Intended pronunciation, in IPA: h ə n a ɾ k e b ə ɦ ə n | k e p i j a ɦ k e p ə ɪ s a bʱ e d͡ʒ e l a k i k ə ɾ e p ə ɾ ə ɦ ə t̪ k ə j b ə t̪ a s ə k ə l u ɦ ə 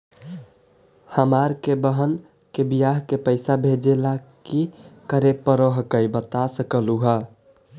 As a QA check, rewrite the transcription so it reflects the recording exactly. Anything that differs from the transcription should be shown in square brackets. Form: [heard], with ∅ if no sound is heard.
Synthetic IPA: h ə [m] a ɾ k e b ə ɦ ə n | k e [b] i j a ɦ k e p ə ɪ s a bʱ e d͡ʒ e l a k i k ə ɾ e p ə ɾ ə ɦ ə [∅] k ə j b ə t̪ a s ə k ə l u ɦ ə

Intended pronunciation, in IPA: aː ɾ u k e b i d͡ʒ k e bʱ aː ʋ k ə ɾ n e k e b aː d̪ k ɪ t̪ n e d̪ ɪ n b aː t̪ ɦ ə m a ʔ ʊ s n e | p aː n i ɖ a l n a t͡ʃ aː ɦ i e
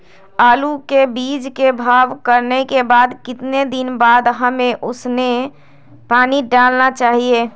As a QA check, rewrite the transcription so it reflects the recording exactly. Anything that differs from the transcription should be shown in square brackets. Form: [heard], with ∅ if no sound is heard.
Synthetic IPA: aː [l] u k e b i d͡ʒ k e bʱ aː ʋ k ə ɾ n e k e b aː d̪ k ɪ t̪ n e d̪ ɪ n b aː [d̪] ɦ ə m [e] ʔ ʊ s n e | p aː n i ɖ a l n a t͡ʃ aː ɦ i e

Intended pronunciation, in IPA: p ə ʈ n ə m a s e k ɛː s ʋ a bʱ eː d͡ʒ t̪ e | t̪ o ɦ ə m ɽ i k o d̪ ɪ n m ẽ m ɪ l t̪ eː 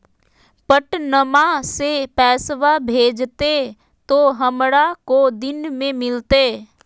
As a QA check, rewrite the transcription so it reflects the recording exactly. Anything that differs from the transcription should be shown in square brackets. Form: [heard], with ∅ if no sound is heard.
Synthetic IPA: p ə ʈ n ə m a s e [p] ɛː s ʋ a bʱ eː d͡ʒ t̪ e | t̪ o ɦ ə m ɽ [a] k o d̪ ɪ n m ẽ m ɪ l t̪ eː

